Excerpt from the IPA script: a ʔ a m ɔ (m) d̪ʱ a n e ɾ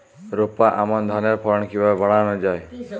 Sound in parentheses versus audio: incorrect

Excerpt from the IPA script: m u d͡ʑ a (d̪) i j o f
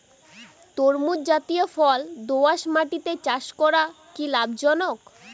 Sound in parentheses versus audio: incorrect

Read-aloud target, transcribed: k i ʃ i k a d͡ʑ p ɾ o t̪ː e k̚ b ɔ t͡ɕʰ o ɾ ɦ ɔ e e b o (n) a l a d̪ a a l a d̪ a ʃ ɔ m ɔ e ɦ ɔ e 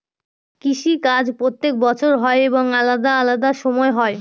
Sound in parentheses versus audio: incorrect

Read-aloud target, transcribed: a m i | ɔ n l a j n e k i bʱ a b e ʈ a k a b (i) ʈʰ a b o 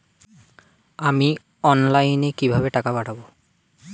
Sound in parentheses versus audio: incorrect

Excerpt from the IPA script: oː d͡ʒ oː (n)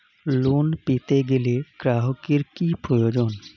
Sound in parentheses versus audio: correct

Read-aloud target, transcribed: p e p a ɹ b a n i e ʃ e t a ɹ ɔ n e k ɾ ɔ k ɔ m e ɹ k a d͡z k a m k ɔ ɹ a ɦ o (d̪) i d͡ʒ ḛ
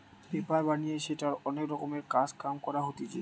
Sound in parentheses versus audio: incorrect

